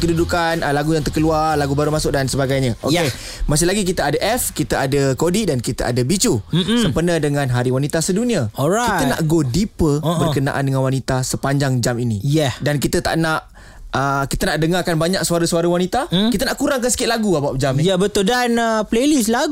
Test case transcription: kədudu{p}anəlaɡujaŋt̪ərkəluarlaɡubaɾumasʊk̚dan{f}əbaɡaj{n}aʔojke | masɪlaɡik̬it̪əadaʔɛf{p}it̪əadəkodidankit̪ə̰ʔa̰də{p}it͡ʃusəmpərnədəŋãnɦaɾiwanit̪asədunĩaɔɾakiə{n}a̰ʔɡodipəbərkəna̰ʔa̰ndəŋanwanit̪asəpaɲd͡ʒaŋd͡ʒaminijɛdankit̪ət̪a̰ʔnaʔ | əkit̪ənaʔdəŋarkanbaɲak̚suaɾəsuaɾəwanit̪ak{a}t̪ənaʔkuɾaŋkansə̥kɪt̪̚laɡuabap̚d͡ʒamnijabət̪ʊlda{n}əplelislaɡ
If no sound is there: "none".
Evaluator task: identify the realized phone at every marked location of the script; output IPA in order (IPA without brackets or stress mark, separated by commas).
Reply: k, s, ɲ, k, b, n, i, n